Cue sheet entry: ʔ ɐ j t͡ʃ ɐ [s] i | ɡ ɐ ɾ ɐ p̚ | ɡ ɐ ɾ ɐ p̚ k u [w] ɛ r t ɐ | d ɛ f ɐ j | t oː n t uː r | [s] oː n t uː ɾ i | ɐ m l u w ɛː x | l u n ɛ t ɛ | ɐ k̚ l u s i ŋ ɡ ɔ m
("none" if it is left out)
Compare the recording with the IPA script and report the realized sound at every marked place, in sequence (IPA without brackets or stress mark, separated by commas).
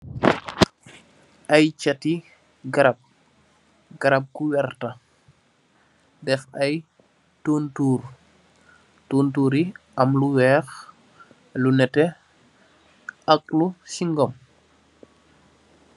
t, w, t